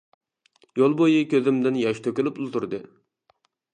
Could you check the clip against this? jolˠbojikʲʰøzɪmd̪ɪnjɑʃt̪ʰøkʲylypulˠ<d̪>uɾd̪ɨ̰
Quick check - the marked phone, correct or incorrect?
incorrect